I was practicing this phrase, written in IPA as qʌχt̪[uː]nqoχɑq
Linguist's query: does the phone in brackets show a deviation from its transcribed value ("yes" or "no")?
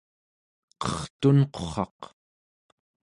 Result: yes